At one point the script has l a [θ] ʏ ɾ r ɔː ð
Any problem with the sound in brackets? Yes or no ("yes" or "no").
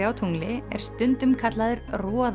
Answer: yes